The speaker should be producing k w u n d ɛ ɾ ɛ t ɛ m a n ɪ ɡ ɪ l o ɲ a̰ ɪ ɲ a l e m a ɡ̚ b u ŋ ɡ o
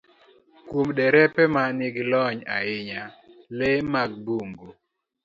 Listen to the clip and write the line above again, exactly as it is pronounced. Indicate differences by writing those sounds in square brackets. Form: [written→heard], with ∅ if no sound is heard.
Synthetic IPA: k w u [n→m] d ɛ ɾ ɛ [t→p] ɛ m a n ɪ ɡ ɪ l [o→ɔ] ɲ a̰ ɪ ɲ a l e m a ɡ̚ b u ŋ ɡ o